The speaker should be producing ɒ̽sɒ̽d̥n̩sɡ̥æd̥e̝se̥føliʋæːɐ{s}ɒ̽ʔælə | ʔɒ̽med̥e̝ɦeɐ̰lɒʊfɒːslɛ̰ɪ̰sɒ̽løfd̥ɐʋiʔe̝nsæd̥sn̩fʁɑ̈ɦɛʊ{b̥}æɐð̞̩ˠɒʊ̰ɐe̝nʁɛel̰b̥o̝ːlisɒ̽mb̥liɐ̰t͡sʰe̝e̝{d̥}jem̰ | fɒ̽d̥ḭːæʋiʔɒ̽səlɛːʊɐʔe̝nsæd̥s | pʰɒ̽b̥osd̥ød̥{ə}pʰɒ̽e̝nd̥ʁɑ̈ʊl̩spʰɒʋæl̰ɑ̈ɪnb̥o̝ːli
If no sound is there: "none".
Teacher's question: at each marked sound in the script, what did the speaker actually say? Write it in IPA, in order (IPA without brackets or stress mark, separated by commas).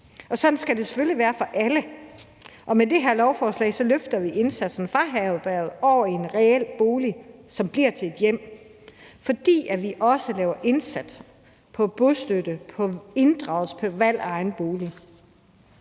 f, b̥, d̥, ə